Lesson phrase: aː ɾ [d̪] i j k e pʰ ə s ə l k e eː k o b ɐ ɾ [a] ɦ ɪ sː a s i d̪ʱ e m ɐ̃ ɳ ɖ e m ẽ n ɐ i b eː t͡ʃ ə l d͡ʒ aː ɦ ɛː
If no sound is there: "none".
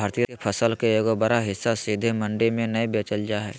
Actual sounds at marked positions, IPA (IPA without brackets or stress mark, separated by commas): t̪, a